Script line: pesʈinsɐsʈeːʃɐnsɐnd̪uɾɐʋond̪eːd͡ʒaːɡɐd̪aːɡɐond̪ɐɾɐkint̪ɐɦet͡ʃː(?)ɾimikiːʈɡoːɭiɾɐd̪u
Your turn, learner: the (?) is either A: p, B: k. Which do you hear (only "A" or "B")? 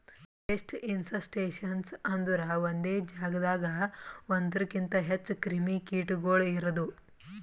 B